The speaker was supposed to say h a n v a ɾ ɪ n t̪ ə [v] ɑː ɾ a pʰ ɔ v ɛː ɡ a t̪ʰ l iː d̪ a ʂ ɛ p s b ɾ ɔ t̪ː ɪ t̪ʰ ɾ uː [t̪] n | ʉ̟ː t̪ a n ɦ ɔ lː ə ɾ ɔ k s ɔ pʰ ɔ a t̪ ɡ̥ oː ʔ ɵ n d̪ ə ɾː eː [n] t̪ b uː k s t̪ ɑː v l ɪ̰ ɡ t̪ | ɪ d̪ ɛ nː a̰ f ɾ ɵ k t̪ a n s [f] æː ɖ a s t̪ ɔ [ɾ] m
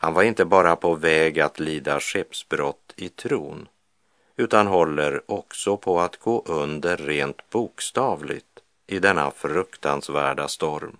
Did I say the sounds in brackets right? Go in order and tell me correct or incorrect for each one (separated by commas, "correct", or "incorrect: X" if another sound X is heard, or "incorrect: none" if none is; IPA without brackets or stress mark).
incorrect: b, incorrect: none, correct, incorrect: v, correct